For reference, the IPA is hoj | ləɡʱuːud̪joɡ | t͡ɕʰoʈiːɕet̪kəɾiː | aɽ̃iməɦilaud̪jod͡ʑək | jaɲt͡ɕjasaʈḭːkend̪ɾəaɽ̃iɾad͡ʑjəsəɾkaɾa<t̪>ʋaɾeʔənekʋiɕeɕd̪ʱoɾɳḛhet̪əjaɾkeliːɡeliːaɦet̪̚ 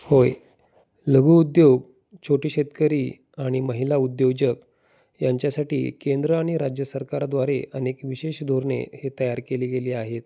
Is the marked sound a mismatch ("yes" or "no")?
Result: yes